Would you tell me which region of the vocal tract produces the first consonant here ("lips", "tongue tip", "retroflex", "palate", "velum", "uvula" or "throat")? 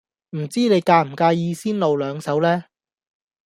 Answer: lips